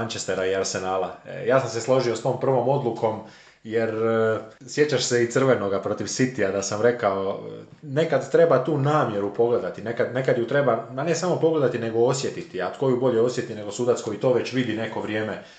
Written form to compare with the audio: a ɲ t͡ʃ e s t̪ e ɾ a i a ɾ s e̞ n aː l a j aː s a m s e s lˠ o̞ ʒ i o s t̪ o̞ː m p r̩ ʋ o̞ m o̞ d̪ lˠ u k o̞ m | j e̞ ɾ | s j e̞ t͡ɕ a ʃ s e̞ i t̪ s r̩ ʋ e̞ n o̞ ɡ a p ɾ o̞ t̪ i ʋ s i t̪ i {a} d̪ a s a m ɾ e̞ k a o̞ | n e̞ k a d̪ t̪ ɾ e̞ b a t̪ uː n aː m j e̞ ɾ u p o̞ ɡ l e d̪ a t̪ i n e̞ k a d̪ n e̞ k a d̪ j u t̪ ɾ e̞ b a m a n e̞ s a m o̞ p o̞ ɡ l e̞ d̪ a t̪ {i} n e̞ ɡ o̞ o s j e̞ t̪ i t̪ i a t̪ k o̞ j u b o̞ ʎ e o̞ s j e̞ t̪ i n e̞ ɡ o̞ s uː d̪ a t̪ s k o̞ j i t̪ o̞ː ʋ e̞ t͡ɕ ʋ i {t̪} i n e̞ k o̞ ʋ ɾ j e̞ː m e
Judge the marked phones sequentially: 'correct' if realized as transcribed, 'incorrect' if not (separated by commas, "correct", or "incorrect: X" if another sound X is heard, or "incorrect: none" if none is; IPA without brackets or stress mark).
correct, correct, incorrect: d̪